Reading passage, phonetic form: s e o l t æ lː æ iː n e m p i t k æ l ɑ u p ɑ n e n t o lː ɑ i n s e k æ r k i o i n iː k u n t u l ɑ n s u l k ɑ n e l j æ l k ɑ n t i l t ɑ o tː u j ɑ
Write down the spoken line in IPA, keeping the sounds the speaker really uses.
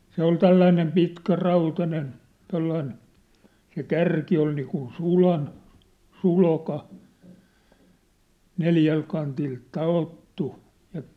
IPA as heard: s e o l t æ lː æ i n e m p i t k æ r ɑ u t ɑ n e n t o lː ɑ i n s e k æ r k i o i n iː k u n s u l ɑ n s u l k ɑ n e l j æ l k ɑ n t i l t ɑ o tː u j ɑ